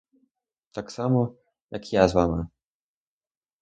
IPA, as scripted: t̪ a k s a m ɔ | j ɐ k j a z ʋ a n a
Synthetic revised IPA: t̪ a k s a m ɔ | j a k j a z v a m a